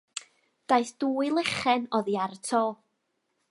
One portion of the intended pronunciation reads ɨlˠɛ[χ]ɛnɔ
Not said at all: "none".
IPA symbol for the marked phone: χ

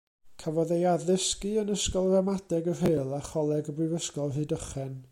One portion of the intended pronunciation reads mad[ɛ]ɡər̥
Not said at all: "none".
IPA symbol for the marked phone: ɛ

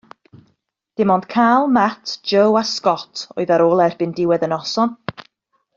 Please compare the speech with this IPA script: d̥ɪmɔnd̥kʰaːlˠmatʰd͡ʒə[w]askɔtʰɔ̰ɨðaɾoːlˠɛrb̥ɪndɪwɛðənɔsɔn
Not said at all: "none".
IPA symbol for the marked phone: w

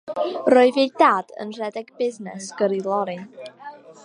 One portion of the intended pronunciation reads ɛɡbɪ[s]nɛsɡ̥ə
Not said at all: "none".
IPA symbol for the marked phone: z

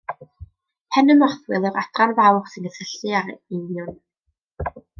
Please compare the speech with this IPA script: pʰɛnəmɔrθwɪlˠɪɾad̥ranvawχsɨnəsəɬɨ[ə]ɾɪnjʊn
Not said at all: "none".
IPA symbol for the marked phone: a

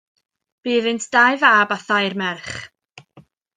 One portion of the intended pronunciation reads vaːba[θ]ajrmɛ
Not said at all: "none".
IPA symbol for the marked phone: θ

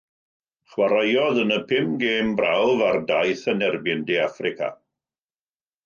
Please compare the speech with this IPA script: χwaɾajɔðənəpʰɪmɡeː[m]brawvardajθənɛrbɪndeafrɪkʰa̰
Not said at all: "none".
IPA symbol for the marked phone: m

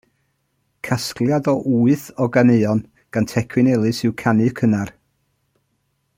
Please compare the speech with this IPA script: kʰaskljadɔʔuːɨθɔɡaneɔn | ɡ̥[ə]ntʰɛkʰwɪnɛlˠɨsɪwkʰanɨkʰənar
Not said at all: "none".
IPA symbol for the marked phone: a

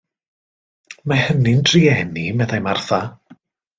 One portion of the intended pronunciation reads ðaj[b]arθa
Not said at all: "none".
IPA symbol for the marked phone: m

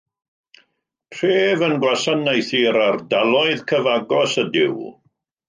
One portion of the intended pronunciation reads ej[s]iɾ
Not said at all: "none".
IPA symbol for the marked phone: θ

